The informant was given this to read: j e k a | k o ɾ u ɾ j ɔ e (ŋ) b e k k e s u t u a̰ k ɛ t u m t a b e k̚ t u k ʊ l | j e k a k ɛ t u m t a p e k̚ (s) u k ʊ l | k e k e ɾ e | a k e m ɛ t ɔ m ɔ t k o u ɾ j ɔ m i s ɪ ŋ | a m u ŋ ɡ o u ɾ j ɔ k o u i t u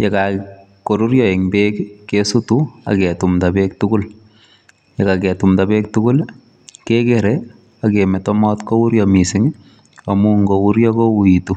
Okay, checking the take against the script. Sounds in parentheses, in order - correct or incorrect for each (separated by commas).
correct, incorrect